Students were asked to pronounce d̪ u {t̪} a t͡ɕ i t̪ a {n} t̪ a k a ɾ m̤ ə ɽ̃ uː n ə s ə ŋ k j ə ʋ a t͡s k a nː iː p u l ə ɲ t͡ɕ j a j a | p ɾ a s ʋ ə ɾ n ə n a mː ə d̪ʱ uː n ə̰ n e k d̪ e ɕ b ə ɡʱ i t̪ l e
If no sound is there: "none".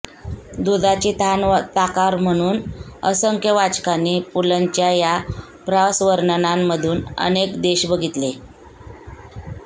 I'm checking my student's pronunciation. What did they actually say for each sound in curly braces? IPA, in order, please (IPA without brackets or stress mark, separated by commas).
d̪, n